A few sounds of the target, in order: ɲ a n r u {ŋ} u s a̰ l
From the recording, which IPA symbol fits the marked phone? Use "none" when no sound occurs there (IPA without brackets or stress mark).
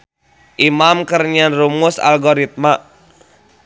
m